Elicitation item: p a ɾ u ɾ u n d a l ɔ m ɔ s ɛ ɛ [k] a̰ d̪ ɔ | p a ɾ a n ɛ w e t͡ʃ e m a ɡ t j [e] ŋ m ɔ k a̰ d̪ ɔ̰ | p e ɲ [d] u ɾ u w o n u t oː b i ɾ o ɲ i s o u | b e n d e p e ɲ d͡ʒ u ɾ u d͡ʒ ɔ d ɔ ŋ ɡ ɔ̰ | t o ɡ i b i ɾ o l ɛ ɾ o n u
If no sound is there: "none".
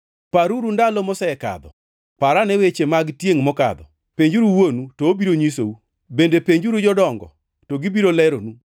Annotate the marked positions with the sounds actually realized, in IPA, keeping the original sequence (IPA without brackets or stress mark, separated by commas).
k, e, d͡ʒ